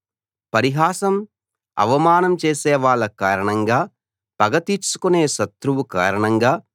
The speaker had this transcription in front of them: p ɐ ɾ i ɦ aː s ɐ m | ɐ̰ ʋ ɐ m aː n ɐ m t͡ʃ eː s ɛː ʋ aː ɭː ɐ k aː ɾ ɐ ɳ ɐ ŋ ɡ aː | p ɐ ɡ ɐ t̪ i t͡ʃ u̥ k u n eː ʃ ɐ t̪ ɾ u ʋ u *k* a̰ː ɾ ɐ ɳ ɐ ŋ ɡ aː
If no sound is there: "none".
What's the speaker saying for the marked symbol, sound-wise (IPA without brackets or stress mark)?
k